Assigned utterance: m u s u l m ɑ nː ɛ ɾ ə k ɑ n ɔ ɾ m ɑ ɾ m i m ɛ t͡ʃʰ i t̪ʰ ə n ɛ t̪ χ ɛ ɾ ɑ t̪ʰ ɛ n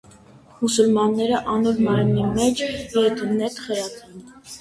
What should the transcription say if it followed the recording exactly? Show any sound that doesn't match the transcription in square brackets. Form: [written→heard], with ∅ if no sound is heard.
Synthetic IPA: m u s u l m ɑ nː ɛ ɾ ə [k→ʔ] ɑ n ɔ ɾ m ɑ ɾ m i m ɛ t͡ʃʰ [i→ɛ] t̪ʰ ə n ɛ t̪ χ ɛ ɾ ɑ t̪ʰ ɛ n